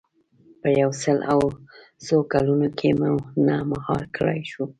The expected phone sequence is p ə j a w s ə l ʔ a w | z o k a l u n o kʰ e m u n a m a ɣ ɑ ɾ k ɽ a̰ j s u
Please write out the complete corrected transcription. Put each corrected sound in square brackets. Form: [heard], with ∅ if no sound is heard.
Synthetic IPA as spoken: p ə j a w s ə l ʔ a w | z o k a l u n o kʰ e m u n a m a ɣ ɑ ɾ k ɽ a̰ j [ʃ] u